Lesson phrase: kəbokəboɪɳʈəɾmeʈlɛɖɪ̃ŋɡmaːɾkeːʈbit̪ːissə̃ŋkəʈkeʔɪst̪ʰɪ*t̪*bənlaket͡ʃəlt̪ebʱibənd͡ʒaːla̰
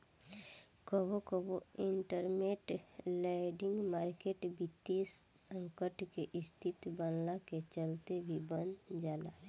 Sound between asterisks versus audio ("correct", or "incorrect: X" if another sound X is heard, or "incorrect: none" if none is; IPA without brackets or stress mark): correct